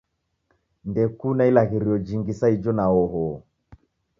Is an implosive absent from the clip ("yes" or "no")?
yes